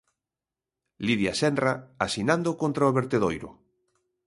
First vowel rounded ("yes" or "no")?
no